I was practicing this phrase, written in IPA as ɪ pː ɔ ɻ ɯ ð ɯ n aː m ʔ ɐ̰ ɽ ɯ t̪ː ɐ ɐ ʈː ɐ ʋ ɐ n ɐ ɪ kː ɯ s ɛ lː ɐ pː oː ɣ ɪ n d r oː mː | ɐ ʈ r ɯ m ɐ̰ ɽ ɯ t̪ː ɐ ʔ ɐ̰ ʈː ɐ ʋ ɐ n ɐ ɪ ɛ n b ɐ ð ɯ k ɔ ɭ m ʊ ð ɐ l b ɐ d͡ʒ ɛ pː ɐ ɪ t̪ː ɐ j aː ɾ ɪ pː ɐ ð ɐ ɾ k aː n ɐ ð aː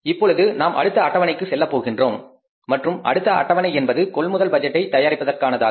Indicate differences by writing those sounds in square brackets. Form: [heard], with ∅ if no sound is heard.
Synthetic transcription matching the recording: ɪ pː ɔ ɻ ɯ ð ɯ n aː m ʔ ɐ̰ ɽ ɯ t̪ː ɐ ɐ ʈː ɐ ʋ ɐ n ɐ ɪ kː ɯ s ɛ lː ɐ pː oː ɣ ɪ n d r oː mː | ɐ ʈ r ɯ m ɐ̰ ɽ ɯ t̪ː ɐ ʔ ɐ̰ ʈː ɐ ʋ ɐ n ɐ ɪ ɛ n b ɐ ð ɯ k ɔ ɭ m ʊ ð ɐ l b ɐ d͡ʒ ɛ [ʈː] ɐ ɪ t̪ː ɐ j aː ɾ ɪ pː ɐ ð ɐ [r] k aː n ɐ ð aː